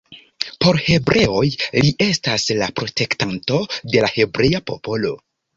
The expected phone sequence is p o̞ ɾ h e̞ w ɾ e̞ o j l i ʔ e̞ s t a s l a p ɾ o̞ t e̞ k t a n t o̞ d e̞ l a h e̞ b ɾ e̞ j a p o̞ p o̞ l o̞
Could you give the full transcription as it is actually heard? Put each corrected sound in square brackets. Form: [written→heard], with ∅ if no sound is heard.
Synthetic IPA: p o̞ ɾ h e̞ [w→b] ɾ e̞ o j l i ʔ e̞ s t a s l a p ɾ o̞ t e̞ k t a n t o̞ d e̞ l a h e̞ b ɾ e̞ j a p o̞ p o̞ l o̞